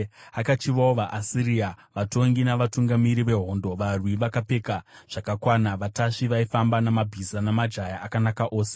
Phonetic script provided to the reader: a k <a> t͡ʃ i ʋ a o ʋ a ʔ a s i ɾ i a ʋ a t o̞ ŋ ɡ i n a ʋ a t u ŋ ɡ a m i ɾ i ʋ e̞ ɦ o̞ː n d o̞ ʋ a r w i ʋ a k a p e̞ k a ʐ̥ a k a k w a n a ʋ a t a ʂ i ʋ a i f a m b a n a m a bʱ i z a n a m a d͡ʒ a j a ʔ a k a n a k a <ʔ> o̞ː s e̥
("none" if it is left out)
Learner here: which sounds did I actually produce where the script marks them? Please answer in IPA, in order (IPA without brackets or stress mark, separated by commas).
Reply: a, ʔ